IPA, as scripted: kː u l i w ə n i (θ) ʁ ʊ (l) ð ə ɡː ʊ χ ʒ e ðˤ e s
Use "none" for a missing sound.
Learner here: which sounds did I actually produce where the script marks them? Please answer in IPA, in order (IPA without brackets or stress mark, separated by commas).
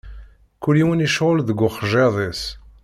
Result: ʃ, l